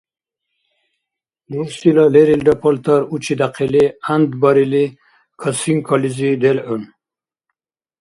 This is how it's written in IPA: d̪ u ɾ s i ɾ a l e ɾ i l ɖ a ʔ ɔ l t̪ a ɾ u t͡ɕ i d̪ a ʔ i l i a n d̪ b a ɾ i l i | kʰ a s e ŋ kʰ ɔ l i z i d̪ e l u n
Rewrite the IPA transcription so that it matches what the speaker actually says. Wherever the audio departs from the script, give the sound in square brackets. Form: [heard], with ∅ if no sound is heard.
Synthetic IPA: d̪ u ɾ s i [l] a l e ɾ i l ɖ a [p] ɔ l t̪ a ɾ u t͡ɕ i d̪ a [q] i l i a n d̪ b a ɾ i l i | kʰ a s [i] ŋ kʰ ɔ l i z i d̪ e l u n